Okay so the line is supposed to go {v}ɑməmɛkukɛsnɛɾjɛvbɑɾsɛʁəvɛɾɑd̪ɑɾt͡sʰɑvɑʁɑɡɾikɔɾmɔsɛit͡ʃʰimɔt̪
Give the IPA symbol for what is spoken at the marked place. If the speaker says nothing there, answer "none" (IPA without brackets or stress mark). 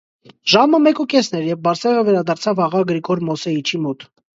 ʒ